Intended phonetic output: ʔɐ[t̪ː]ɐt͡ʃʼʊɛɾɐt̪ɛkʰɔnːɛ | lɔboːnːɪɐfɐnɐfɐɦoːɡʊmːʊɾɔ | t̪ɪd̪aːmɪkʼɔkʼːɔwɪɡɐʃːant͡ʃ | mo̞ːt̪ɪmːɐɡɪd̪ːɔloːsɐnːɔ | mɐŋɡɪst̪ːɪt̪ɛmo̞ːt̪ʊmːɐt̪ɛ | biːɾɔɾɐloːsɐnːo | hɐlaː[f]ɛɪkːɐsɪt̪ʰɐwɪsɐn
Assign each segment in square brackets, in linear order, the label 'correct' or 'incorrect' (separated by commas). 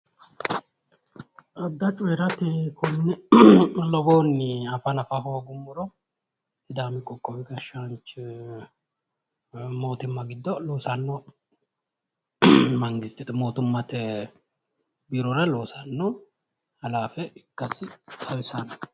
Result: incorrect, correct